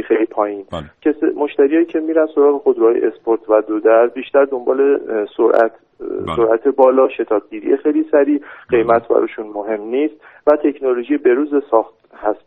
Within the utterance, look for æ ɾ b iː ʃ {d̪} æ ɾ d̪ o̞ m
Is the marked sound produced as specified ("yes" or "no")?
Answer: no